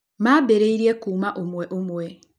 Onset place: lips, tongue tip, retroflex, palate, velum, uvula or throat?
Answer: lips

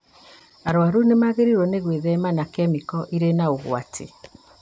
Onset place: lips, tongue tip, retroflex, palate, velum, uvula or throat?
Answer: tongue tip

